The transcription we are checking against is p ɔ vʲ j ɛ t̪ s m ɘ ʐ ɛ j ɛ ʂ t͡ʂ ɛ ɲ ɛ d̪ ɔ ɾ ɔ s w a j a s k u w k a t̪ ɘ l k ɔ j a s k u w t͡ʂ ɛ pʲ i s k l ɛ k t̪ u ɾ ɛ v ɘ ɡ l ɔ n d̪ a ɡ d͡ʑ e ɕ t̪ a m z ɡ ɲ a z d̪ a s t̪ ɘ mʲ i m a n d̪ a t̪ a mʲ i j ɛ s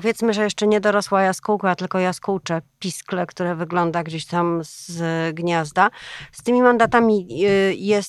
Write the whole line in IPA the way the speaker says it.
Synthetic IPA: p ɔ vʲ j ɛ t̪ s m ɘ ʐ ɛ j ɛ ʂ t͡ʂ ɛ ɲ ɛ d̪ ɔ ɾ ɔ s w a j a s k u w k a t̪ ɘ l k ɔ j a s k u w t͡ʂ ɛ pʲ i s k l ɛ k t̪ u ɾ ɛ v ɘ ɡ l ɔ n d̪ a ɡ d͡ʑ e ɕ t̪ a m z ɡ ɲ a z d̪ a s t̪ ɘ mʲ i m a n d̪ a t̪ a mʲ i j ɛ s